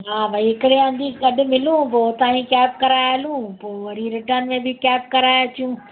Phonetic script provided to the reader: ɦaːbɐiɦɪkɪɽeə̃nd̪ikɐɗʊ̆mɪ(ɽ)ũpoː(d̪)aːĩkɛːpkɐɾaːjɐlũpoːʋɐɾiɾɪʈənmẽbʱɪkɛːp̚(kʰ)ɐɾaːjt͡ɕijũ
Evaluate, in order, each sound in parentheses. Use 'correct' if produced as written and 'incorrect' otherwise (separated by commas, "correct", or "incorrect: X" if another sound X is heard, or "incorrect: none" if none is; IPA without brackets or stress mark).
incorrect: l, incorrect: t̪, incorrect: k